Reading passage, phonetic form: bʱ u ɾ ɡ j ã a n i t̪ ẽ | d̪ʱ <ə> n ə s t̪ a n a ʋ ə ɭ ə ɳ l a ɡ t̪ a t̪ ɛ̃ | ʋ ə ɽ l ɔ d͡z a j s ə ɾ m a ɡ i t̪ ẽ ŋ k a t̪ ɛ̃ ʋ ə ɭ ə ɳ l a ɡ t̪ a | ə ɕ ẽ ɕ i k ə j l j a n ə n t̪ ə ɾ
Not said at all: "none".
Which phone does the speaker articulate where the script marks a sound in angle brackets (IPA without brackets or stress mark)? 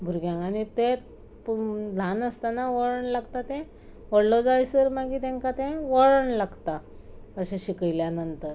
a